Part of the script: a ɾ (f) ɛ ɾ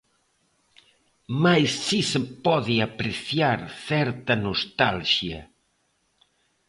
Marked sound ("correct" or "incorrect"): incorrect